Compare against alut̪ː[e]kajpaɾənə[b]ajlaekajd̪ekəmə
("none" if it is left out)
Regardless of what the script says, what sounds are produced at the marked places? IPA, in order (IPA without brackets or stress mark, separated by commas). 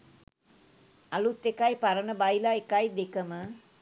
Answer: e, b